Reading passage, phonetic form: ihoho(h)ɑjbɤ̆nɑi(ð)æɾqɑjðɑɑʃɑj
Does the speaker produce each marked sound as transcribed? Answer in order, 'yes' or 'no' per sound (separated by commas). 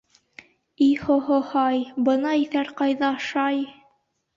yes, no